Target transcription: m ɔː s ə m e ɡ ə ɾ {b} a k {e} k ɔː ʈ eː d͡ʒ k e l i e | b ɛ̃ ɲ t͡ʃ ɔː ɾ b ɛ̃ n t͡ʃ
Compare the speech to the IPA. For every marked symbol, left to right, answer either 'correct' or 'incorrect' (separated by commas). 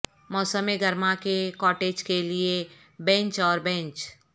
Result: incorrect, correct